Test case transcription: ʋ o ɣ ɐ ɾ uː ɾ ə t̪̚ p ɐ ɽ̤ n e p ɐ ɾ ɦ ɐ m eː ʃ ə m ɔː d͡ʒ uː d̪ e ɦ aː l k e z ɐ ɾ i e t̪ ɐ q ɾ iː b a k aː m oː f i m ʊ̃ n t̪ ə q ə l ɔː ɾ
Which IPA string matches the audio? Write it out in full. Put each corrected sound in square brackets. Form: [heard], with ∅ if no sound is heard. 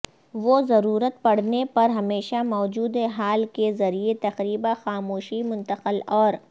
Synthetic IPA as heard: ʋ o [z] ɐ ɾ uː ɾ ə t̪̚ p ɐ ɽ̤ n e p ɐ ɾ ɦ ɐ m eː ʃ [a] m ɔː d͡ʒ uː d̪ e ɦ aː l k e z ɐ ɾ i e t̪ ɐ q ɾ iː b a [x] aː m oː [ʃ] i m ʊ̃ n t̪ ə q ə l ɔː ɾ